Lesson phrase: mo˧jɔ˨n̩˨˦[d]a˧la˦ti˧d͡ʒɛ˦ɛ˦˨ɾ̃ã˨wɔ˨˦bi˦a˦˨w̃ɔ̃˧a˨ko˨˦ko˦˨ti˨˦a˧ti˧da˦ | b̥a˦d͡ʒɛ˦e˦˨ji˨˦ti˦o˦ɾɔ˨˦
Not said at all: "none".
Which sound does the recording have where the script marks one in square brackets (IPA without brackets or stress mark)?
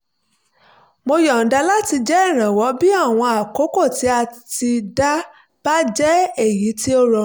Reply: d